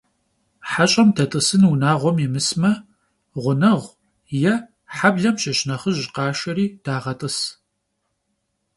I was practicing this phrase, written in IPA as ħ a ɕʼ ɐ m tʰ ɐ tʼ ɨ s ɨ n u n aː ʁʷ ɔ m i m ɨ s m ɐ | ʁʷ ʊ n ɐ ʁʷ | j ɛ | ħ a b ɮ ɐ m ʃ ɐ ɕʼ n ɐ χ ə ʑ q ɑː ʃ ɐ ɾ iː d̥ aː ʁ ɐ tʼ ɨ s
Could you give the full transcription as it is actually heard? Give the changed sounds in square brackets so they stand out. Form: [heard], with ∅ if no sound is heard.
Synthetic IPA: ħ a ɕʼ ɐ m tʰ ɐ tʼ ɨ s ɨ n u n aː ʁʷ ɔ m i m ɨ s m ɐ | ʁʷ ʊ n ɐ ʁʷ | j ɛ | ħ a b ɮ ɐ m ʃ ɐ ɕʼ n ɐ χ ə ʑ q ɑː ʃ ɐ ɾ iː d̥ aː ʁ ɐ tʼ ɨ s